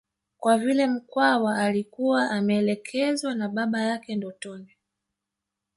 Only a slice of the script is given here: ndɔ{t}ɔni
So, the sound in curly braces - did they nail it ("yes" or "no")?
yes